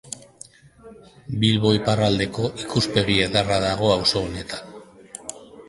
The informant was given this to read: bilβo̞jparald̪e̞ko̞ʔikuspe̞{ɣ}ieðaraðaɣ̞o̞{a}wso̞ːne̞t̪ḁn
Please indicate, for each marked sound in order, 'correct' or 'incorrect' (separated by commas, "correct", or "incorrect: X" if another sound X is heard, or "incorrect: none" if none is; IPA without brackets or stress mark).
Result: correct, correct